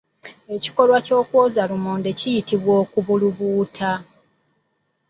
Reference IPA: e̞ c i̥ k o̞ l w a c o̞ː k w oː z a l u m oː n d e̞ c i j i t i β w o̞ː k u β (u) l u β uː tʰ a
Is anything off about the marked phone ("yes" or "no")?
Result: no